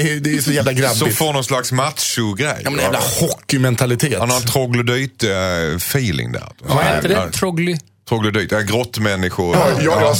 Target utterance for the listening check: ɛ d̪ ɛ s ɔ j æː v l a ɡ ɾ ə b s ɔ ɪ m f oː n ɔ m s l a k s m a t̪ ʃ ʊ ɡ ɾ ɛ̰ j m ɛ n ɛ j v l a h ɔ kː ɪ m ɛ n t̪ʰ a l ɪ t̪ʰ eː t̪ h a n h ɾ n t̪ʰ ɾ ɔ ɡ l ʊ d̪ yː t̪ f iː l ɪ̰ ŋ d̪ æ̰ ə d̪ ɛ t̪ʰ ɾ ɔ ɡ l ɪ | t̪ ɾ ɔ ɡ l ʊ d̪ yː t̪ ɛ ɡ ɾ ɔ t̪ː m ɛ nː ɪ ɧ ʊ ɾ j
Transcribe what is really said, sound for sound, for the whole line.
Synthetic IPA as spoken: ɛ d̪ ɛ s ɔ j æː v l a ɡ ɾ a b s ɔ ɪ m f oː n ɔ n s l a k s m a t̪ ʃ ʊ ɡ ɾ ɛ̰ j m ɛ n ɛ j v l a h ɔ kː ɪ m ɛ n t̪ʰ a l ɪ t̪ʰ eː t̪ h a n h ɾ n t̪ʰ ɾ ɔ ɡ l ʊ d̪ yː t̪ f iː l ɪ̰ ŋ d̪ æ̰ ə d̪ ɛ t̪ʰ ɾ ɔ ɡ l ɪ | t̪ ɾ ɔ ɡ l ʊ d̪ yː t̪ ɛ ɡ ɾ ɔ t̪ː m ɛ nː ɪ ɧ ʊ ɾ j